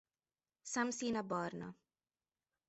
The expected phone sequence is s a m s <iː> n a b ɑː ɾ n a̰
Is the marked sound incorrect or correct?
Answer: correct